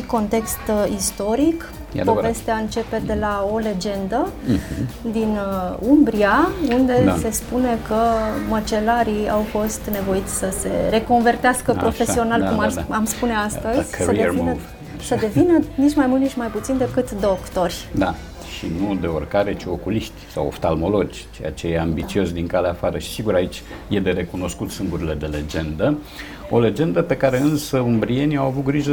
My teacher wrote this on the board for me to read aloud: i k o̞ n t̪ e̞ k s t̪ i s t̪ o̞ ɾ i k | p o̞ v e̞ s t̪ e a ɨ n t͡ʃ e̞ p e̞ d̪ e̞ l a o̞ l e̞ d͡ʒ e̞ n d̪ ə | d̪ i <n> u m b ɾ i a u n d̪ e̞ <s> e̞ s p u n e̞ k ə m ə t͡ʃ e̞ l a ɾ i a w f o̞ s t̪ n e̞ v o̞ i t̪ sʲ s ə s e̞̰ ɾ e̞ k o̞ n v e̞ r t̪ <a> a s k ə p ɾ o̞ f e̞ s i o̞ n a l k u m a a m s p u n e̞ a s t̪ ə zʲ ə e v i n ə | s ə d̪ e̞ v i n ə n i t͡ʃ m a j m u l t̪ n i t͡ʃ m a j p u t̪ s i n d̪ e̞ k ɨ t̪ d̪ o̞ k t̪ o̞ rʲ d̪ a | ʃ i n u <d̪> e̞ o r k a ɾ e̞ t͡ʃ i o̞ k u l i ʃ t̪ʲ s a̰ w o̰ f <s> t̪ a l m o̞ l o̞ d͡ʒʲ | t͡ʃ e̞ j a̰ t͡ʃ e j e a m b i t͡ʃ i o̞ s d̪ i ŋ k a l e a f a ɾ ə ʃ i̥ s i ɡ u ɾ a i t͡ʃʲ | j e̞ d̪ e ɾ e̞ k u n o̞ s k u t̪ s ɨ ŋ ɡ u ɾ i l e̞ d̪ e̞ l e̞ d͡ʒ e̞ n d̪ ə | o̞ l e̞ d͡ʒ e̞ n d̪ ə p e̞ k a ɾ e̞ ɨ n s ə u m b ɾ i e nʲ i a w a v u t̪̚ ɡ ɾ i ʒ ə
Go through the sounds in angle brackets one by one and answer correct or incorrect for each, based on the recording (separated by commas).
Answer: correct, correct, incorrect, correct, correct